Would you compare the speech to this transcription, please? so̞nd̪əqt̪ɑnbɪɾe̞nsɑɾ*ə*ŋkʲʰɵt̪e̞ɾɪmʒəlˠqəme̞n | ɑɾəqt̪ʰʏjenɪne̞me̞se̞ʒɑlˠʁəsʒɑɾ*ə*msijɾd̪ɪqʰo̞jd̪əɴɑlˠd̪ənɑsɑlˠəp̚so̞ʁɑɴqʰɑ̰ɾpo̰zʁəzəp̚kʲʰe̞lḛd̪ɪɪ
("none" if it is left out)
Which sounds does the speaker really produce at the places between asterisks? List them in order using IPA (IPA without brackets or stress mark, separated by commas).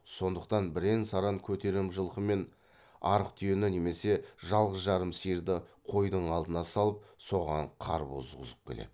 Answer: ɑ, ə